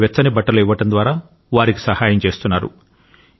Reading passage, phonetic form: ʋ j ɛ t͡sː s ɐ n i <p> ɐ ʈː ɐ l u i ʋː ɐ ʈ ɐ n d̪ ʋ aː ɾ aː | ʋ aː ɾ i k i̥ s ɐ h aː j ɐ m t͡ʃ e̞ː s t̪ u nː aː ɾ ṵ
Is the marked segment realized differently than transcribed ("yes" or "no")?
yes